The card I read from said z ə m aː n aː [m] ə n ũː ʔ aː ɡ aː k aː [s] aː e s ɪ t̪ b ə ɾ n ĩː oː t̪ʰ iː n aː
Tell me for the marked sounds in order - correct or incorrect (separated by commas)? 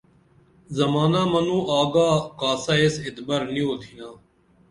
correct, correct